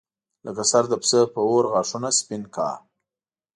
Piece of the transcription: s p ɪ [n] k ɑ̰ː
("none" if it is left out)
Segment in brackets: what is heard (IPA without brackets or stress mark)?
n